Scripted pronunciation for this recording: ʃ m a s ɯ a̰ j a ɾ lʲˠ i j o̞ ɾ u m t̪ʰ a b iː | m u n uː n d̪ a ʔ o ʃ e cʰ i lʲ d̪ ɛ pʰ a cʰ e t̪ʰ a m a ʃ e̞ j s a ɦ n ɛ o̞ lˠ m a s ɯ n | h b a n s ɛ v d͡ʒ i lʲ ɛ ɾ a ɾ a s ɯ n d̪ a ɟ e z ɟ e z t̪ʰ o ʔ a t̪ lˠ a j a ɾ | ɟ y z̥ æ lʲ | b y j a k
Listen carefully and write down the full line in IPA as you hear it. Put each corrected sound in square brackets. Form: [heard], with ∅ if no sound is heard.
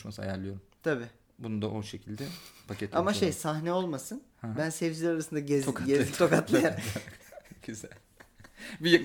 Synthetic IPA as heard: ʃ m a s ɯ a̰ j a ɾ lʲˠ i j o̞ ɾ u m t̪ʰ a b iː | [b] u n [u] n d̪ a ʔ o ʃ e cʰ i lʲ d̪ ɛ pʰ a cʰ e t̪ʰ a m a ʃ e̞ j s a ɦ n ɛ o̞ lˠ m a s ɯ n | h b [æ] n s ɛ v d͡ʒ i lʲ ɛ ɾ a ɾ a s ɯ n d̪ a ɟ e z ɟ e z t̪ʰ o [k] a t̪ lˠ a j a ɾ | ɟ y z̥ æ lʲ | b [i] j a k